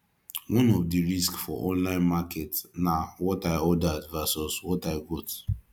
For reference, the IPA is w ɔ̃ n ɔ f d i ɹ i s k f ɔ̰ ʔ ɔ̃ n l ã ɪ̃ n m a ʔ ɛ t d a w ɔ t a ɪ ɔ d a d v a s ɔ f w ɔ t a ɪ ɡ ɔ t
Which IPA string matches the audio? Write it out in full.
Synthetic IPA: w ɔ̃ n ɔ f d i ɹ i s k f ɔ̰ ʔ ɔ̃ n l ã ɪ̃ n m a k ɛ t n a w ɔ t a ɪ ɔ d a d v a s ɔ s w ɔ t a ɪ ɡ ɔ t